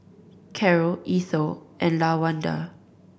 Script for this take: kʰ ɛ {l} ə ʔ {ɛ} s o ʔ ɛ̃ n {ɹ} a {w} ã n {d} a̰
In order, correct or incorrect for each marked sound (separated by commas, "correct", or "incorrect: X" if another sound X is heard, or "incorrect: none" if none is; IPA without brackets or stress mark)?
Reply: incorrect: ɹ, incorrect: i, incorrect: l, correct, correct